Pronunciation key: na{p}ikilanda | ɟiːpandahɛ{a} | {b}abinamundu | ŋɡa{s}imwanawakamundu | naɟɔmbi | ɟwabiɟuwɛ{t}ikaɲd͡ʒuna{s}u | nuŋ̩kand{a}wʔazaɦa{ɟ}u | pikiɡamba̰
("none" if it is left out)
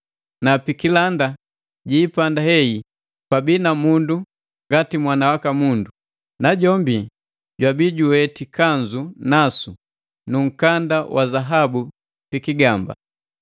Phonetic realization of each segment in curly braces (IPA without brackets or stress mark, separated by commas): p, i, p, t, t, s, a, b